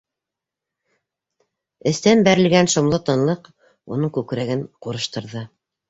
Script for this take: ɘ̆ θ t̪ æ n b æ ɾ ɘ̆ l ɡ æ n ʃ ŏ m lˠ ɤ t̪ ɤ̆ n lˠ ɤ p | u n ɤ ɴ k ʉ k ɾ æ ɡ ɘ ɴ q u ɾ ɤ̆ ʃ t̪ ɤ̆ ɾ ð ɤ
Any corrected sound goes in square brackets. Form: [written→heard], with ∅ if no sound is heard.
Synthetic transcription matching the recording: ɘ̆ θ t̪ æ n b æ ɾ ɘ̆ l ɡ æ n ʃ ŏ m lˠ ɤ t̪ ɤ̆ n lˠ ɤ [p→q] | u n ɤ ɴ k ʉ k ɾ æ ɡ ɘ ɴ q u ɾ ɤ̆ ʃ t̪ ɤ̆ ɾ ð ɤ